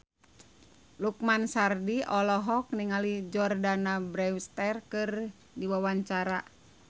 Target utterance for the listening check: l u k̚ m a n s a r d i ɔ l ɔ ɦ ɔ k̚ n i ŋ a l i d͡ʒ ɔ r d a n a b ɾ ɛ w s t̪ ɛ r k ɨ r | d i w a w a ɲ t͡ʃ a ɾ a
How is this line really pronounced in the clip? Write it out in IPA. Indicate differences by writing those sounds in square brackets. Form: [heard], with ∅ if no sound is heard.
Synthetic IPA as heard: l u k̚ m a n s a r d i ɔ l ɔ ɦ ɔ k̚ n i ŋ a l i d͡ʒ ɔ r d a n a b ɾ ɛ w s t̪ ɛ r k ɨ r | d i w a w a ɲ t͡ʃ a ɾ a